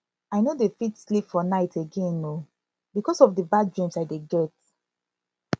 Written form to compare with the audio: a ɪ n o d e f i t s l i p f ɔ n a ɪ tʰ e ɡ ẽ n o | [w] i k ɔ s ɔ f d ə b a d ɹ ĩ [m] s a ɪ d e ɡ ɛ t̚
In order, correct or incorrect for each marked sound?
incorrect: b, correct

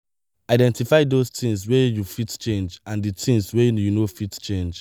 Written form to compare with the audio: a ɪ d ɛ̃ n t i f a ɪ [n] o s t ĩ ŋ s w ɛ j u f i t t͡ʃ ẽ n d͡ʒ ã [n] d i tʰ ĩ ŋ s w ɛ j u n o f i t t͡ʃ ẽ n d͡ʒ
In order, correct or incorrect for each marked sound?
incorrect: d, correct

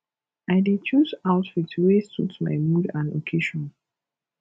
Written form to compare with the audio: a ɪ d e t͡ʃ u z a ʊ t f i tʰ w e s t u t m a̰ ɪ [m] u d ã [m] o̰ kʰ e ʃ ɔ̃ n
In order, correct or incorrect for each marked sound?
correct, incorrect: n

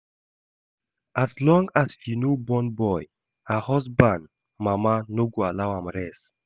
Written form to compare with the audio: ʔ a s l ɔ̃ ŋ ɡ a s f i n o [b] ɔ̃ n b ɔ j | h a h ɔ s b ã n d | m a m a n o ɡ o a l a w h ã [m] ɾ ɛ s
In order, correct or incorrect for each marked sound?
correct, correct

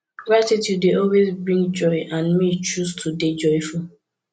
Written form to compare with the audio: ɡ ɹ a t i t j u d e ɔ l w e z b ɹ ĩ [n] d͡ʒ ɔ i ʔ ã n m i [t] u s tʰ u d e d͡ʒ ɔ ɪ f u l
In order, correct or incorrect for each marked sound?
incorrect: ŋ, incorrect: t͡ʃ

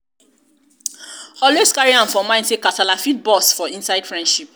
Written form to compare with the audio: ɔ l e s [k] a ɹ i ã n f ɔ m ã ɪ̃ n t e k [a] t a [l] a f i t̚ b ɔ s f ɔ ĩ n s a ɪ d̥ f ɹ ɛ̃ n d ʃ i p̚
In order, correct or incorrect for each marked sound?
correct, correct, correct

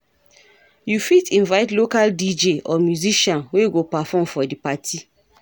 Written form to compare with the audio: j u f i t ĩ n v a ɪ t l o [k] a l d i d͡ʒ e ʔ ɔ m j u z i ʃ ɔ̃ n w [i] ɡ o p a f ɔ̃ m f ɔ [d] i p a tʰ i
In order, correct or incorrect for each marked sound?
correct, incorrect: e, correct

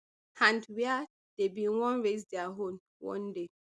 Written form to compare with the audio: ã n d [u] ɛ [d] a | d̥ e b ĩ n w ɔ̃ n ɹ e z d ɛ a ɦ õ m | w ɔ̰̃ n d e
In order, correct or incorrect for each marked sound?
incorrect: w, incorrect: none

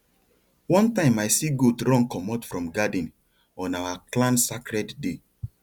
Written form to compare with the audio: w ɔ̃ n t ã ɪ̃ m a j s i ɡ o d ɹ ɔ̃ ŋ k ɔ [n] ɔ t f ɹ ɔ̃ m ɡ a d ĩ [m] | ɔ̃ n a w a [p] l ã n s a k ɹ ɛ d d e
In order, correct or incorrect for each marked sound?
incorrect: m, incorrect: n, incorrect: k

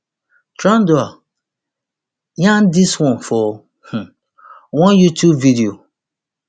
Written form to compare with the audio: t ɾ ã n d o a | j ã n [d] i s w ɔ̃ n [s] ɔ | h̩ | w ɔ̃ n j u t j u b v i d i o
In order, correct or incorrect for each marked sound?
correct, incorrect: f

